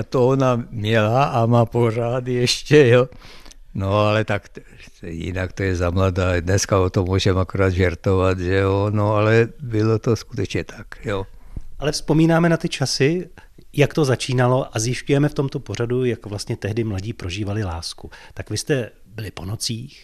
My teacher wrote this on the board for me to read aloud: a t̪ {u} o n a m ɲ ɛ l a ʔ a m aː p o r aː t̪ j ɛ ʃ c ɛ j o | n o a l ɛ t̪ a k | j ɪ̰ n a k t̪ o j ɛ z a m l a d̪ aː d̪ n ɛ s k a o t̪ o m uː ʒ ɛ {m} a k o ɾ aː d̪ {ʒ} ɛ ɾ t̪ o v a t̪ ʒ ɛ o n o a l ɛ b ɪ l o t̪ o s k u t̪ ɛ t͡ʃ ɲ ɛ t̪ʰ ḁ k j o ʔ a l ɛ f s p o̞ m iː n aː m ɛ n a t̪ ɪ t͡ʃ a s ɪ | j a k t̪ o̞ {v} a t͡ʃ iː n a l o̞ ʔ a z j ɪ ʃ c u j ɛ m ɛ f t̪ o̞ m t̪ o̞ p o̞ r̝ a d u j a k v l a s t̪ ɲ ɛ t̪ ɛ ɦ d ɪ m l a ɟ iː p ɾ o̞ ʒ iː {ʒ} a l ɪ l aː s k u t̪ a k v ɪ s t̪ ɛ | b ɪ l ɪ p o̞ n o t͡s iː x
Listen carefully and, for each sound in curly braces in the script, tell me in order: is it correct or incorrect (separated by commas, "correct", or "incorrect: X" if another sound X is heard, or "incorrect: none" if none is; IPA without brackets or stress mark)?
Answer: incorrect: o, correct, correct, incorrect: z, incorrect: v